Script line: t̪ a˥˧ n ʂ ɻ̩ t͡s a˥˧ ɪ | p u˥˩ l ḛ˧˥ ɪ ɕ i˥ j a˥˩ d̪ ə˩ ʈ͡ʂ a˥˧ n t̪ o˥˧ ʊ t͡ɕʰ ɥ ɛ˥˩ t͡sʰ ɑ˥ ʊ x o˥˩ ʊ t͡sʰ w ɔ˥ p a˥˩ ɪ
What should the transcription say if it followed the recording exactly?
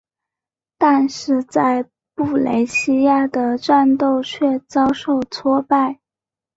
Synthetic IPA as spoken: t̪ a˥˧ n ʂ ɻ̩ t͡s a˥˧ ɪ | p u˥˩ l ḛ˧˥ ɪ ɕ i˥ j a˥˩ d̪ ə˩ ʈ͡ʂ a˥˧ n t̪ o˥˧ ʊ t͡ɕʰ ɥ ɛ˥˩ t͡s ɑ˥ ʊ ʂ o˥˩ ʊ t͡sʰ w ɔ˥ p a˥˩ ɪ